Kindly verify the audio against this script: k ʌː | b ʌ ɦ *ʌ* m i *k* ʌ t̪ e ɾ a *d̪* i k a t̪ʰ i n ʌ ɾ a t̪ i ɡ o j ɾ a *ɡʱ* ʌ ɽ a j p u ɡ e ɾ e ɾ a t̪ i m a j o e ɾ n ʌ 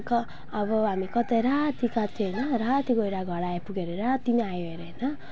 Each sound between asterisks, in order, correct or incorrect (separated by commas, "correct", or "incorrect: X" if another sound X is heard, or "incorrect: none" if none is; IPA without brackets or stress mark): incorrect: a, correct, incorrect: t̪, correct